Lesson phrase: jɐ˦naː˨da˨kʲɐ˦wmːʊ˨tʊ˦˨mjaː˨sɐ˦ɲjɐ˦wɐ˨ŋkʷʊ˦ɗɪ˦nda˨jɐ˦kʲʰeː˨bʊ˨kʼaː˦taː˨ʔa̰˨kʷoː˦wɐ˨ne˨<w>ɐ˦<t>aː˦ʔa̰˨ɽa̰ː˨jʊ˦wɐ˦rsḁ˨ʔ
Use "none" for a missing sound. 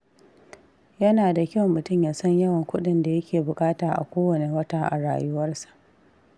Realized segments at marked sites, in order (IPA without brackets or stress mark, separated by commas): w, t